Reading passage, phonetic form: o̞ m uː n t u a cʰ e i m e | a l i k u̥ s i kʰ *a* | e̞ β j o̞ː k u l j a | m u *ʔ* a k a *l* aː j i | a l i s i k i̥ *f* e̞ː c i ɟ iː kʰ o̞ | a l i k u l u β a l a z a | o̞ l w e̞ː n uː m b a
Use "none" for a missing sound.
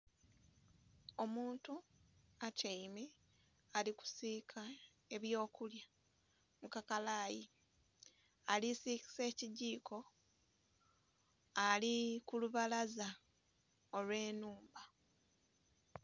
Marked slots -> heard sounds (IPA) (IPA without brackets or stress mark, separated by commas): a, k, l, s